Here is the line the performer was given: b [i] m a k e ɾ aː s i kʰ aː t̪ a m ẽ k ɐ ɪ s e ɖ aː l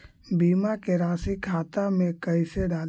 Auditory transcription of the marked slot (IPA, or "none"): iː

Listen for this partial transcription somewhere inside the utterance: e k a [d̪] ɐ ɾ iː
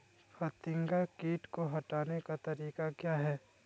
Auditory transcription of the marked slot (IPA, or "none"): t̪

